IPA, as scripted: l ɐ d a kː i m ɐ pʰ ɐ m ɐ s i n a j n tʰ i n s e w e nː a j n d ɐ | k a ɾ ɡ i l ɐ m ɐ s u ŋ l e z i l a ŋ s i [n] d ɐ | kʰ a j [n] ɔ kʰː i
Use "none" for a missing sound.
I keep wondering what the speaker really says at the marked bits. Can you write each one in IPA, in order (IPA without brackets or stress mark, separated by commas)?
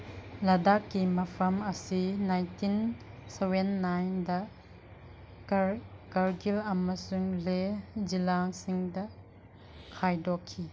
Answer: ŋ, d